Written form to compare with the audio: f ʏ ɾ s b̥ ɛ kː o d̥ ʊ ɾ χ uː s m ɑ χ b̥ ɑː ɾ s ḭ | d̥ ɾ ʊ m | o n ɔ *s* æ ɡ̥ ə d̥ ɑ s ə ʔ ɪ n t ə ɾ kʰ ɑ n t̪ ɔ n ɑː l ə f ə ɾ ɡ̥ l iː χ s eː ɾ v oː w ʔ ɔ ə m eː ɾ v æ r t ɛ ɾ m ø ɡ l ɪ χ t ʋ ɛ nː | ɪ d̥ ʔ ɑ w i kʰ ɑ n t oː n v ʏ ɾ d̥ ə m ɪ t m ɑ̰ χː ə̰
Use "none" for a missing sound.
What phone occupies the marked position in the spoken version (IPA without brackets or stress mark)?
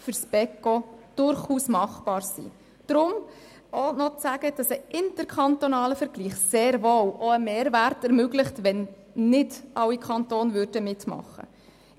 t͡s